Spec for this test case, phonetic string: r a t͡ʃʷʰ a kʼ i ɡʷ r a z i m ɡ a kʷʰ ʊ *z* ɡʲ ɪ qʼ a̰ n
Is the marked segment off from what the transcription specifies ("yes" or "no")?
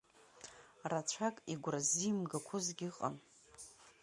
no